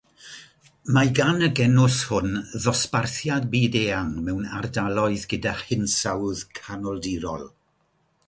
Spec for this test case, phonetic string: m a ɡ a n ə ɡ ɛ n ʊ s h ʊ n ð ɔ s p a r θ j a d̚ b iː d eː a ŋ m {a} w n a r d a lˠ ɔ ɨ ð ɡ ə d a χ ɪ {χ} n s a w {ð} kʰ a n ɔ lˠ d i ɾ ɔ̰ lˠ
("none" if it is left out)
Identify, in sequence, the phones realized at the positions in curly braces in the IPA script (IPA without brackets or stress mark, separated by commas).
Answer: ɛ, none, ð